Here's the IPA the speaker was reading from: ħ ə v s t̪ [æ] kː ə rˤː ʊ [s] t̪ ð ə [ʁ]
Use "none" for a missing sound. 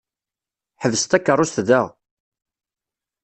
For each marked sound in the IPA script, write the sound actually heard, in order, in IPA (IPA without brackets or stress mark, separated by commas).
æ, s, ʁ